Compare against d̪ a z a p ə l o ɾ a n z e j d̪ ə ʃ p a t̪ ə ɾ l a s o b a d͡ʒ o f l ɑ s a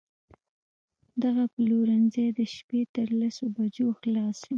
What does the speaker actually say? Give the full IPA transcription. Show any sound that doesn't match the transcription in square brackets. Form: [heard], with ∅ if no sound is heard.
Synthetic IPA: d̪ a [ɣ] a p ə l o ɾ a n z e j d̪ ə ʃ p [e] t̪ ə ɾ l a s o b a d͡ʒ o [x] l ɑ s [i]